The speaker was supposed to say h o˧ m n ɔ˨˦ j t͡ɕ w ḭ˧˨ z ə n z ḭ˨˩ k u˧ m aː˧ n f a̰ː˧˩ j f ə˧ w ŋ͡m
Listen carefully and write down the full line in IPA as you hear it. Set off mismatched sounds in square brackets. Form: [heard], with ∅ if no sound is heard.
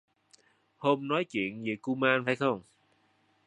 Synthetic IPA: h o˧ m n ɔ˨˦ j t͡ɕ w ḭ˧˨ [∅] ə n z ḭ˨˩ k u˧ m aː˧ n f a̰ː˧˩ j [x] ə˧ w ŋ͡m